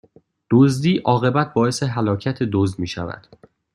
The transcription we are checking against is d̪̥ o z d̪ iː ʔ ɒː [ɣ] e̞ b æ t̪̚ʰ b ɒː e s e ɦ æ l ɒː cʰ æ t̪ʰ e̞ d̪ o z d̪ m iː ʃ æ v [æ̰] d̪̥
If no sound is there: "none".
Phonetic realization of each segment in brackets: ɣ, æ̰

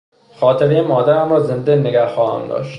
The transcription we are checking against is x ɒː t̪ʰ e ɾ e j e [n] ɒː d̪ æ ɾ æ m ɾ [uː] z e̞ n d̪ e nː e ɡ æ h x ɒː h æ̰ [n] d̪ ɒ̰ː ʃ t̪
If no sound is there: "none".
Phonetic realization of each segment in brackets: m, ɒː, m

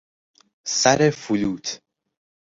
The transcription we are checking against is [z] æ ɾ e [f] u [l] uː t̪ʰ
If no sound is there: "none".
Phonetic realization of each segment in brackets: s, f, l

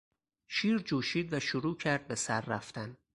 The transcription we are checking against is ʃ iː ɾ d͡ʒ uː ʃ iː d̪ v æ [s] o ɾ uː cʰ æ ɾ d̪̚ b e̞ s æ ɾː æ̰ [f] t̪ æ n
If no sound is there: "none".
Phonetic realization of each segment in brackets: ʃ, f

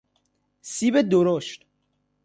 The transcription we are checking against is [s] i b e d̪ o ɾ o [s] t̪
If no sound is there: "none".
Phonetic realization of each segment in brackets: s, ʃ

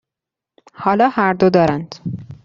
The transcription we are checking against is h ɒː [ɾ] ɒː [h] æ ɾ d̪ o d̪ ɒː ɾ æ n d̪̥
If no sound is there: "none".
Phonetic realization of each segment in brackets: l, h

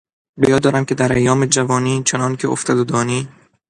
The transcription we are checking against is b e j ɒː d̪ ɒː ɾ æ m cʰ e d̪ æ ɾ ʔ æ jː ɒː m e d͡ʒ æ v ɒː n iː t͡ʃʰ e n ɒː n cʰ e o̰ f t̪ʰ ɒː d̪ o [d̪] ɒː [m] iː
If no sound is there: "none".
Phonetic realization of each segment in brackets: d̪, n

